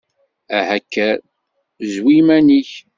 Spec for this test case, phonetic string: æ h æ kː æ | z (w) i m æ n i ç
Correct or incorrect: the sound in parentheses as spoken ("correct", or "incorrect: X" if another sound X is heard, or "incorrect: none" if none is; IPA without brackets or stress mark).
correct